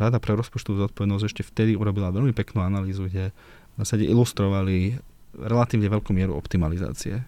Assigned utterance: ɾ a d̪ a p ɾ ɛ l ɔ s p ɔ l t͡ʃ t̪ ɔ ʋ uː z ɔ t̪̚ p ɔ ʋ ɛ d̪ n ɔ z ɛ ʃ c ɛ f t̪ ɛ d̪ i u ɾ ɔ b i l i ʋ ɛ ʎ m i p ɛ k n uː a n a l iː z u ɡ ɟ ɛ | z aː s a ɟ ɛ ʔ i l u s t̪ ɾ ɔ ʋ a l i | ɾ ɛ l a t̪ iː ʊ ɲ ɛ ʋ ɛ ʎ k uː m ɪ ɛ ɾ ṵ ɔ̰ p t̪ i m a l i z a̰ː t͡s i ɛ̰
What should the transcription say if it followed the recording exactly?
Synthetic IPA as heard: ɾ a d̪ a p ɾ ɛ ɾ ɔ s p ɔ t͡ʃ t̪ ɔ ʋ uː z ɔ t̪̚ p ɔ ʋ ɛ d̪ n ɔ z ɛ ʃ c ɛ f t̪ ɛ d̪ i u ɾ ɔ b i l a ʋ ɛ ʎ m i p ɛ k n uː a n a l iː z u ɡ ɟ ɛ | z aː s a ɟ ɛ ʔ i l u s t̪ ɾ ɔ ʋ a l i | ɾ ɛ l a t̪ iː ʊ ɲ ɛ ʋ ɛ ʎ k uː m ɪ ɛ ɾ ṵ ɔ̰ p t̪ i m a l i z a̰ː t͡s i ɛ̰